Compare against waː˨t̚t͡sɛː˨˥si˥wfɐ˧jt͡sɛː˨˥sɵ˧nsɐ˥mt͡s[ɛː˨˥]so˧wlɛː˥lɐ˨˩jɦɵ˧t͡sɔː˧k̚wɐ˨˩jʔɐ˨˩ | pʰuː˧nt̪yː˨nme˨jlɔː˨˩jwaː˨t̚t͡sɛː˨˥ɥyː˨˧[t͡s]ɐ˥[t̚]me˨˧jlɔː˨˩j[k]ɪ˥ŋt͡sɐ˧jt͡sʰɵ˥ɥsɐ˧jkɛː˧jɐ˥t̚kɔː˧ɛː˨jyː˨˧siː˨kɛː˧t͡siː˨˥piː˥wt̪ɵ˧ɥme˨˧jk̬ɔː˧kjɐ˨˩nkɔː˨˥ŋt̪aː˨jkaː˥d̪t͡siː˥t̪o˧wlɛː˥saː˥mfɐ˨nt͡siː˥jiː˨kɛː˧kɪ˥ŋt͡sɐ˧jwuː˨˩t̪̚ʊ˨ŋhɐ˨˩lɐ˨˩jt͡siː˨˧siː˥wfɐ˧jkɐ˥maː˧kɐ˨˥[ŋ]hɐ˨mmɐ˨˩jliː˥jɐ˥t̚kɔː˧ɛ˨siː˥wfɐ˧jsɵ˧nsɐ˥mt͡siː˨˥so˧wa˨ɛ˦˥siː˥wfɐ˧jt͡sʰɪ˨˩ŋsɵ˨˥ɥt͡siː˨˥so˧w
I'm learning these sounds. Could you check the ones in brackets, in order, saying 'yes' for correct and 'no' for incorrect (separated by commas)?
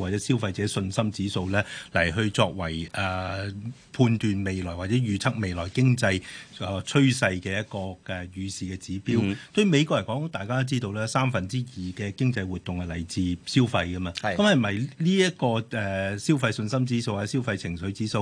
no, no, no, yes, no